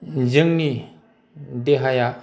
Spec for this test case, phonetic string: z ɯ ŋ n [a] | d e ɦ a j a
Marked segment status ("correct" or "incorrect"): incorrect